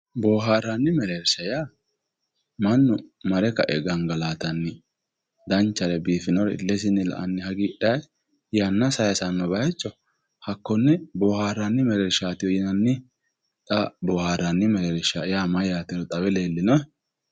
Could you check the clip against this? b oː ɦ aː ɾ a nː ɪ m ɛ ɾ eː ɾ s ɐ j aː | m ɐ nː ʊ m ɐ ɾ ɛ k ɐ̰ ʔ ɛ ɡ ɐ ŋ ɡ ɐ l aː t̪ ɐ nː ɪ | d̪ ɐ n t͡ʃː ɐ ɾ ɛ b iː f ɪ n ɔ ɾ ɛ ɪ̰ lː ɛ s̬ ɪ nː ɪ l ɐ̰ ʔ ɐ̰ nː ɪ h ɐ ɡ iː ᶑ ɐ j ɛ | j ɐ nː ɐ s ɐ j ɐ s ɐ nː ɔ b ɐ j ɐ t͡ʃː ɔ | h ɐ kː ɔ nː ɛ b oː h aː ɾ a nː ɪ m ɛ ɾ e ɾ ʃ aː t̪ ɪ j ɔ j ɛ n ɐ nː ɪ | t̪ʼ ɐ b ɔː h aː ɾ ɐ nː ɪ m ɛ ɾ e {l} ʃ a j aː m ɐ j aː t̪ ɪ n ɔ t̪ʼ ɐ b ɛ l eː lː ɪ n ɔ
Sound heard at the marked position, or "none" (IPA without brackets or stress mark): ɾ